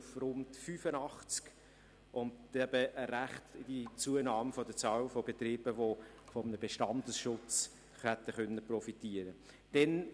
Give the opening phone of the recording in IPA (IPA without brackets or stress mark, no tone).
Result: f